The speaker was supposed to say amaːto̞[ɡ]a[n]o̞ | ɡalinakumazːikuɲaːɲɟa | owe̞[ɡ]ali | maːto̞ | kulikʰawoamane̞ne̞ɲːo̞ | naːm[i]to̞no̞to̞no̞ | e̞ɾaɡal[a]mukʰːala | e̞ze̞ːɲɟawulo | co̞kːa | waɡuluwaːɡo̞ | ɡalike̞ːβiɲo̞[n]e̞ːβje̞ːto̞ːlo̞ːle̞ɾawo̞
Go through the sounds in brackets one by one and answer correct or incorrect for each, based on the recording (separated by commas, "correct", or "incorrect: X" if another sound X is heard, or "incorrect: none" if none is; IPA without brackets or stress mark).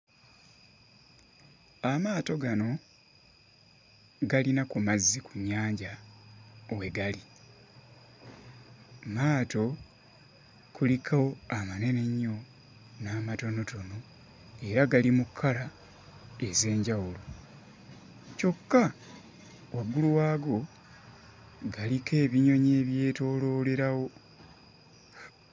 correct, correct, correct, incorrect: a, incorrect: i, incorrect: ɲ